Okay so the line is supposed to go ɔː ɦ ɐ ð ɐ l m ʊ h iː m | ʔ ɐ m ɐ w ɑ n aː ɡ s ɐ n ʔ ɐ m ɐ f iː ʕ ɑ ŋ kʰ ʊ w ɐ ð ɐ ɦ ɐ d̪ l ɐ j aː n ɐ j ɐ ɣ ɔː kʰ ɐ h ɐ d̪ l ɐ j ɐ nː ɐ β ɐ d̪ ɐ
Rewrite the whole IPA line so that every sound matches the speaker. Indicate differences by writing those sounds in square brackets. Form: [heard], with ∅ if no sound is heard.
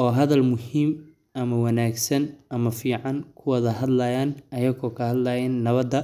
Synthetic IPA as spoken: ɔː ɦ ɐ ð ɐ l m ʊ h iː m | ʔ ɐ m ɐ w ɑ n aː ɡ s ɐ n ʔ ɐ m ɐ f iː ʕ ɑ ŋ kʰ ʊ w ɐ ð ɐ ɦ ɐ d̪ l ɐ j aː n ɐ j ɐ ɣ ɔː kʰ ɐ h ɐ d̪ l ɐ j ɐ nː ɐ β ɐ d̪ ɐ